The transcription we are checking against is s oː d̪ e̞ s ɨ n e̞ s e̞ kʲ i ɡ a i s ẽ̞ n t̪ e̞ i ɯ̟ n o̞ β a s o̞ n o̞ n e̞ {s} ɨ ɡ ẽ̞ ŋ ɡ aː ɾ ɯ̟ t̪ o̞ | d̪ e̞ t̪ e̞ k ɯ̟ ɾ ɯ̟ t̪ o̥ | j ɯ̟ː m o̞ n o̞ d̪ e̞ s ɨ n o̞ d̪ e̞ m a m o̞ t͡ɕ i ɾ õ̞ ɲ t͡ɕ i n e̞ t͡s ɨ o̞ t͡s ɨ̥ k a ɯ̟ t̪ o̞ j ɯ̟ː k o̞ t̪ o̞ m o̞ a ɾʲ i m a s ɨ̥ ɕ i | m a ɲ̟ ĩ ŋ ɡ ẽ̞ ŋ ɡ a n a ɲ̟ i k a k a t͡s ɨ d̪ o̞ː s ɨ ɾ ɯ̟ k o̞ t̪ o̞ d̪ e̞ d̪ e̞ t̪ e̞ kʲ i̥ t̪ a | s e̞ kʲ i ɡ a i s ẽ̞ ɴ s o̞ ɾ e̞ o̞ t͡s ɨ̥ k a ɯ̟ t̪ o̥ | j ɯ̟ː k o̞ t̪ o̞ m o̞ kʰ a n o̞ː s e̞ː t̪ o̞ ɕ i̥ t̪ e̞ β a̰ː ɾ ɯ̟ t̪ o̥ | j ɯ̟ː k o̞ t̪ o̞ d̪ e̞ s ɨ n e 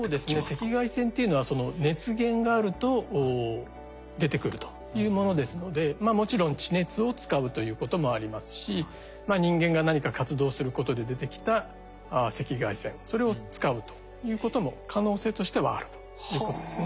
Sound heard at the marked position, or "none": t͡s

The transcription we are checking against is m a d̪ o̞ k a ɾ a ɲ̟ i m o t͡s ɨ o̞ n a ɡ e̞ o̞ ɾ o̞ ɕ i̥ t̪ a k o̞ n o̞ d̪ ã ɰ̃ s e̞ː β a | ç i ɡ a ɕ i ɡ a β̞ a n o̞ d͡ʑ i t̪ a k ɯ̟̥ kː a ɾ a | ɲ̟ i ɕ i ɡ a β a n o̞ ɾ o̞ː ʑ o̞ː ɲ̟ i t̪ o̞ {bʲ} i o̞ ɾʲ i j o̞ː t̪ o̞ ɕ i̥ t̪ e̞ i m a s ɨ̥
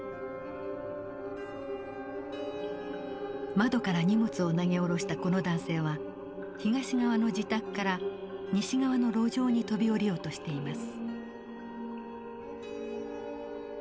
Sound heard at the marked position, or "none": bʲ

